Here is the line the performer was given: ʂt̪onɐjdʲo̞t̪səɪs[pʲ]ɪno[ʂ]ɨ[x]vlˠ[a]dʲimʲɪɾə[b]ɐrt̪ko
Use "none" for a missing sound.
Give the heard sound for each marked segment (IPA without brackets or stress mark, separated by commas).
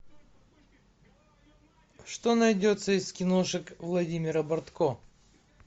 kʲ, ʂ, k, ɐ, b